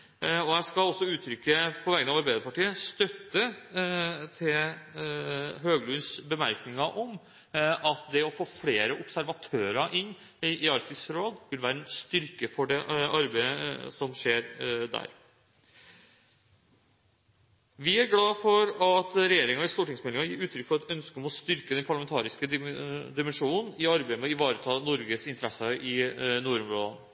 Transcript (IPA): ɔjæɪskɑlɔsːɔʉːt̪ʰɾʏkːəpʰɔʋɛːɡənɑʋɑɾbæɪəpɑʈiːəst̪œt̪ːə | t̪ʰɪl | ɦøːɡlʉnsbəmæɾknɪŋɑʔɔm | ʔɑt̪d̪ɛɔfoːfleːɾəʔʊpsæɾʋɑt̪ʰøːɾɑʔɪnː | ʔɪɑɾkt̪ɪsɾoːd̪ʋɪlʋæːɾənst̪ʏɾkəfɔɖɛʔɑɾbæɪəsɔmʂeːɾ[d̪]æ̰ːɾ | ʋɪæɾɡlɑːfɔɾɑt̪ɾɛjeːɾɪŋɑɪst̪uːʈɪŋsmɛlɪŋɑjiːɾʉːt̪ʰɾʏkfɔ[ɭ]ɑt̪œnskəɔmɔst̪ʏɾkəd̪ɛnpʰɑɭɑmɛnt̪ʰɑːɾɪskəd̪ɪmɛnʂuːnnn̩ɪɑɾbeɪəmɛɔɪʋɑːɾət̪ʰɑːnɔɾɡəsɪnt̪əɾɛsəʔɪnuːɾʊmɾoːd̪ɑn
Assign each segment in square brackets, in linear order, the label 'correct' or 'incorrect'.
correct, incorrect: ɾ

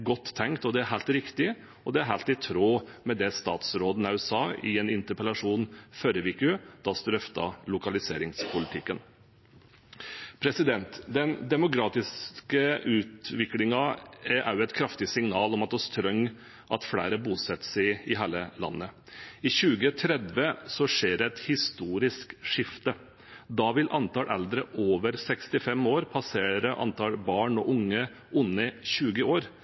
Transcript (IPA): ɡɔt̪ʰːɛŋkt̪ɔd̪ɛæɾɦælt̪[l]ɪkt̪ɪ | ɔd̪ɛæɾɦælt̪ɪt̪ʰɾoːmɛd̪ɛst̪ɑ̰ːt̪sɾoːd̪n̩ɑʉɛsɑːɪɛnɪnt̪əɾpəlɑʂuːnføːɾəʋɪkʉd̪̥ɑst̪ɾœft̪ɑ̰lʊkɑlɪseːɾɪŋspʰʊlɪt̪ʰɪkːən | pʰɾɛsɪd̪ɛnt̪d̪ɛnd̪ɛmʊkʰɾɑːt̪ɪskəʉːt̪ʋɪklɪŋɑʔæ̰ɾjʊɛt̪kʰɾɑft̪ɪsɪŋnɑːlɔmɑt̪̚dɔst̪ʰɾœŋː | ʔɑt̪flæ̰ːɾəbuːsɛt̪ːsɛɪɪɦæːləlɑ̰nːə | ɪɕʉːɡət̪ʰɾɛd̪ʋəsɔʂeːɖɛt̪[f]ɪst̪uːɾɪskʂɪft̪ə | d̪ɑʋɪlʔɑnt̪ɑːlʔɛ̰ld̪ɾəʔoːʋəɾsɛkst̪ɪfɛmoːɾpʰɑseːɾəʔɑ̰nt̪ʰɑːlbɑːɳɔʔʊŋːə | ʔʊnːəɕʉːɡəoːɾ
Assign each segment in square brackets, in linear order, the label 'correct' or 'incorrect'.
incorrect: ɾ, incorrect: h

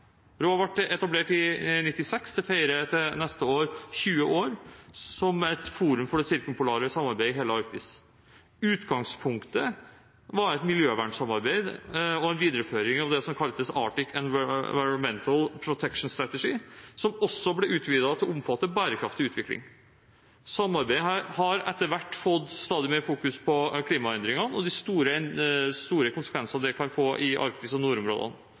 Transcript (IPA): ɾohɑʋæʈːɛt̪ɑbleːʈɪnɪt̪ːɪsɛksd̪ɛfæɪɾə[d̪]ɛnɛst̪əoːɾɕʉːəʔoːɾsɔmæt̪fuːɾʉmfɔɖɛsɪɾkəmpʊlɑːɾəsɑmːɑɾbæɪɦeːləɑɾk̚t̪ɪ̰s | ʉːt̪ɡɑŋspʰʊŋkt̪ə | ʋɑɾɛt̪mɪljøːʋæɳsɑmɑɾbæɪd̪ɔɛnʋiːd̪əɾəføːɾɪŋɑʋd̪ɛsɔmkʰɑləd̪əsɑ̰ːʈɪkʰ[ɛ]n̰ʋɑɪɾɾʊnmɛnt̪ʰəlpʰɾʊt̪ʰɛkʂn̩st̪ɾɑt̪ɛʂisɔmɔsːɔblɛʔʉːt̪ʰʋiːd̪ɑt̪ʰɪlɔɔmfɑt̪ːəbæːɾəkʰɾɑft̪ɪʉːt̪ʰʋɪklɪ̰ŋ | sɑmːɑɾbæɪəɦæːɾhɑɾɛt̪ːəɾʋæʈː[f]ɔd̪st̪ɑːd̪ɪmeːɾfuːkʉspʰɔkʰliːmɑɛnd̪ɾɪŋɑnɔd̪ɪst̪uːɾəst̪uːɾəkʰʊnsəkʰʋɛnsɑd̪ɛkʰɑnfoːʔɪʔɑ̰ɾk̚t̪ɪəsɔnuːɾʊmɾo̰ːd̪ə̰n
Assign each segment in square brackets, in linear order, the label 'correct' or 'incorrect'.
incorrect: t̪, correct, correct

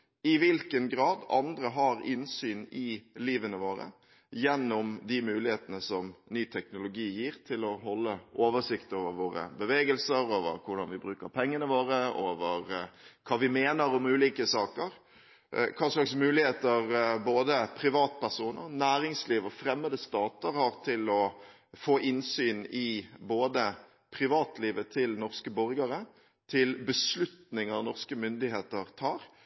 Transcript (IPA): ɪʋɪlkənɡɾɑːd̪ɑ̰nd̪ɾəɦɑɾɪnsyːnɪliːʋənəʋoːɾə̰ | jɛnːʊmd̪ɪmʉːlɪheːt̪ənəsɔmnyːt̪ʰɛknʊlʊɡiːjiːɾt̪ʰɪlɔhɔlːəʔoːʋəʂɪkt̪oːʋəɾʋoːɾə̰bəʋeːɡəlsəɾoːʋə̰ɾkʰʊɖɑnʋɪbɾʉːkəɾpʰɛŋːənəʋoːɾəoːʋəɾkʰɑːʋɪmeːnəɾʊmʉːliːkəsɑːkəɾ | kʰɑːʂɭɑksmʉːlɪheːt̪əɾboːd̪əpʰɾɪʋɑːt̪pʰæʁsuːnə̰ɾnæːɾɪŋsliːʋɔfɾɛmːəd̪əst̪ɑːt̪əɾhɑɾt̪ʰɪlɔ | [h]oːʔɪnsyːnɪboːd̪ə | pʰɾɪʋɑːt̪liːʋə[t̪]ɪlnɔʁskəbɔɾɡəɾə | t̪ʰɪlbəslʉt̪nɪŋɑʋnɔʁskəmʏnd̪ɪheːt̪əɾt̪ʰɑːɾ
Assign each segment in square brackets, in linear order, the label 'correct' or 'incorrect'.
incorrect: f, incorrect: t̪ʰ

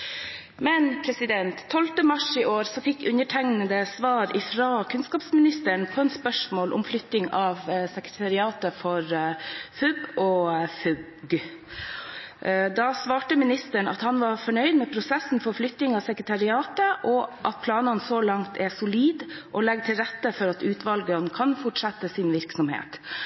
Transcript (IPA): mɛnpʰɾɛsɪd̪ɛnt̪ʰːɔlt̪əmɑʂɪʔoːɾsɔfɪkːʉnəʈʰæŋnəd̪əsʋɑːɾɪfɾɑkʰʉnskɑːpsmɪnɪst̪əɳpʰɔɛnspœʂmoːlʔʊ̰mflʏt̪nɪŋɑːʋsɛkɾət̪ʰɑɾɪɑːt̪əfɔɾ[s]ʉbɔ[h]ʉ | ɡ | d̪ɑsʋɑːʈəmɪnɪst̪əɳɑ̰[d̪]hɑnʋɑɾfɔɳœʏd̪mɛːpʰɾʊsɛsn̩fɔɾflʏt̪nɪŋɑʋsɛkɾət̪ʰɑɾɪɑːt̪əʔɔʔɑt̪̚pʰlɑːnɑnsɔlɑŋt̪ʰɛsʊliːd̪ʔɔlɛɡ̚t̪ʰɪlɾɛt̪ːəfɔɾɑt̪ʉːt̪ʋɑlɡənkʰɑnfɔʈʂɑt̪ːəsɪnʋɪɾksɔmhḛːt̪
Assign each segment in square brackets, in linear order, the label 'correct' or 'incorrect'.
incorrect: f, incorrect: f, incorrect: t̪

